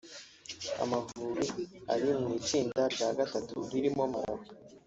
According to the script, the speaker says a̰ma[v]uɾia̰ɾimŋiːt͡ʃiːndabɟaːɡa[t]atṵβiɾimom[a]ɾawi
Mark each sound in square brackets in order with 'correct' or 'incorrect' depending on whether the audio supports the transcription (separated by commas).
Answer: correct, correct, correct